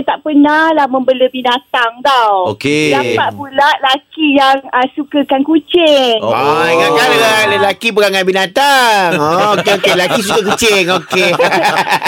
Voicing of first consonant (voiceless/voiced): voiceless